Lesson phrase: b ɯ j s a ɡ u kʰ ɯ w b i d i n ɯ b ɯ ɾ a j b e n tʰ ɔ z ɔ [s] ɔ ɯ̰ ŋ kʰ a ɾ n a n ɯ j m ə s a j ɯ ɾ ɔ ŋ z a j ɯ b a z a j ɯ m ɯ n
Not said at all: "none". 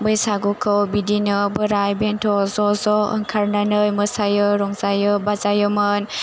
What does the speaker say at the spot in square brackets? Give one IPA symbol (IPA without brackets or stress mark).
z